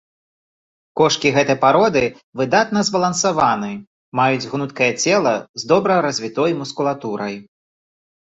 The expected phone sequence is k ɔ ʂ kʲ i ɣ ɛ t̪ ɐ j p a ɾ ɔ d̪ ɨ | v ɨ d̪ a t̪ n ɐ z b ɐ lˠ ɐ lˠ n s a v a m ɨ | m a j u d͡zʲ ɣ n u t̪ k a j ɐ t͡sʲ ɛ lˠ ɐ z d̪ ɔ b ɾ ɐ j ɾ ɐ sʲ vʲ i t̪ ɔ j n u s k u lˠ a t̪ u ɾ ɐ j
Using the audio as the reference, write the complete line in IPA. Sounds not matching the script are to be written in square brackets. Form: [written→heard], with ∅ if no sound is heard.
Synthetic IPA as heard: k ɔ ʂ kʲ i ɣ ɛ t̪ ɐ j p a ɾ ɔ d̪ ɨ | v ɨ d̪ a t̪ n ɐ z b ɐ lˠ ɐ [lˠ→∅] n s a v a [m→n] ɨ | m a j u d͡zʲ ɣ n u t̪ k [a→ɐ] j ɐ t͡sʲ ɛ lˠ ɐ z d̪ ɔ b ɾ ɐ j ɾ ɐ [sʲ→zʲ] vʲ i t̪ ɔ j [n→m] u s k u lˠ a t̪ u ɾ ɐ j